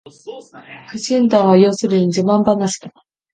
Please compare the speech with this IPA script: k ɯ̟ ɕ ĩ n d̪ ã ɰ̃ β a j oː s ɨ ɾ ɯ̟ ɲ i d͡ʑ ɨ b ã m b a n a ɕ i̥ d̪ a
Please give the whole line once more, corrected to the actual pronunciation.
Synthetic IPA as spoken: k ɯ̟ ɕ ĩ n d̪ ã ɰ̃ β a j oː s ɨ ɾ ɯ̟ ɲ i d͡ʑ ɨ m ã m b a n a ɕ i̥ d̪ a